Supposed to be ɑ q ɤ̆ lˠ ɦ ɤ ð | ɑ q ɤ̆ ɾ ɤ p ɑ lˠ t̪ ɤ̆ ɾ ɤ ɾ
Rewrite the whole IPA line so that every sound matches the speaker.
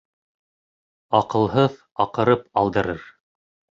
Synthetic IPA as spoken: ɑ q ɤ̆ lˠ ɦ ɤ ð | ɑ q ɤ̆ ɾ ɤ p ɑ lˠ d̪ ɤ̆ ɾ ɤ ɾ